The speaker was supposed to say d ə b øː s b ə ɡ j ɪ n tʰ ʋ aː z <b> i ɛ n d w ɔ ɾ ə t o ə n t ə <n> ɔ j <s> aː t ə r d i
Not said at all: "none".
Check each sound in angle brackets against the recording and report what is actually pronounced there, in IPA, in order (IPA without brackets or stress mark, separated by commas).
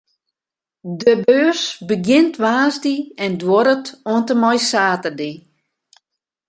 d, m, s